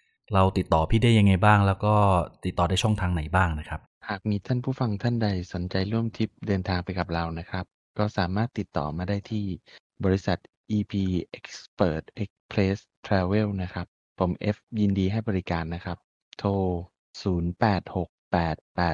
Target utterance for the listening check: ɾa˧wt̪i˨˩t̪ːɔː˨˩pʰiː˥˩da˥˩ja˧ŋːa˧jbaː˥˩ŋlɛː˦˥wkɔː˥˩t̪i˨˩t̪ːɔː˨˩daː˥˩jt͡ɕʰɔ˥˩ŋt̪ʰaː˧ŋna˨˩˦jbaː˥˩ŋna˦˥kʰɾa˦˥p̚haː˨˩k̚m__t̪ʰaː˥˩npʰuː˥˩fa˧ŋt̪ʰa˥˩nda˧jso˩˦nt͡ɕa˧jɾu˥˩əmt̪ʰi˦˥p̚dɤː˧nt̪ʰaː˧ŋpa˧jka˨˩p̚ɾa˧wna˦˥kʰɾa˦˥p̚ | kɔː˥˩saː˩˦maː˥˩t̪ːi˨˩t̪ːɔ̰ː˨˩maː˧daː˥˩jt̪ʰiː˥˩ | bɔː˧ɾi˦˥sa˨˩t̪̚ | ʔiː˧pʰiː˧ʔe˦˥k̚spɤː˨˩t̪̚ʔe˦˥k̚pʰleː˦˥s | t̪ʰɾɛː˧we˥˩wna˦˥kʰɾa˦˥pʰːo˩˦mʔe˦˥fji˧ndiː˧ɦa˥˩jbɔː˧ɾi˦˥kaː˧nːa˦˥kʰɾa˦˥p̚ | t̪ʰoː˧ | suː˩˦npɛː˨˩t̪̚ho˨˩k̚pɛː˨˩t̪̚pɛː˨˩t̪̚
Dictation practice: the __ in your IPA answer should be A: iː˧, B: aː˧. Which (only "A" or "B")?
A